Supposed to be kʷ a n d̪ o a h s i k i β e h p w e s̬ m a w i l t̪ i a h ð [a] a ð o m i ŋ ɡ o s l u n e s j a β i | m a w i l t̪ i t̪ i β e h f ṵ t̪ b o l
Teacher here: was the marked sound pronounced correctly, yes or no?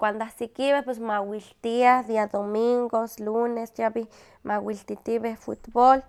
no